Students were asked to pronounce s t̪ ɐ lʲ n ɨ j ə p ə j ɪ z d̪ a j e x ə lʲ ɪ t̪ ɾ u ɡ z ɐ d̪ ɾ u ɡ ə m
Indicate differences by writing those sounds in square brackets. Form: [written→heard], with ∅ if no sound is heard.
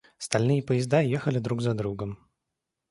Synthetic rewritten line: s t̪ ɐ lʲ n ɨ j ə p ə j ɪ z d̪ a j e x ə lʲ ɪ [t̪→d̪] ɾ u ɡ z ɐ d̪ ɾ u ɡ ə m